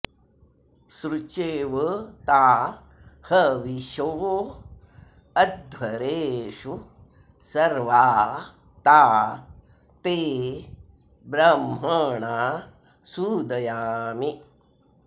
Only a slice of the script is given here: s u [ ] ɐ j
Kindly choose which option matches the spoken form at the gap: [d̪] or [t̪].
d̪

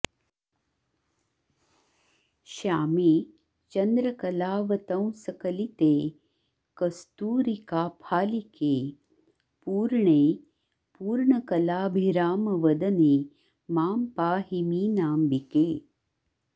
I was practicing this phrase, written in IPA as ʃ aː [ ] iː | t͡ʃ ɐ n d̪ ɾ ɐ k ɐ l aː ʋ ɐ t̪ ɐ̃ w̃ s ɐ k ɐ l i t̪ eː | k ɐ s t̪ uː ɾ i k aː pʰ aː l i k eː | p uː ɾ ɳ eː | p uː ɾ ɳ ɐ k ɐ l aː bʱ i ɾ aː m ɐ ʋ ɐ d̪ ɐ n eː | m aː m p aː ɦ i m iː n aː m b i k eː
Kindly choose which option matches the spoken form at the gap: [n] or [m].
m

